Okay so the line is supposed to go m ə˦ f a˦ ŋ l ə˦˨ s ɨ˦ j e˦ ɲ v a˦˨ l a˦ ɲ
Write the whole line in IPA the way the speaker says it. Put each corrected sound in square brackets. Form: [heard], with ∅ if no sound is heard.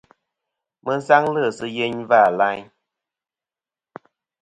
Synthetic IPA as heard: m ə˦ [s] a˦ ŋ l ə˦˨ s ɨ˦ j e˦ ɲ v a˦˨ l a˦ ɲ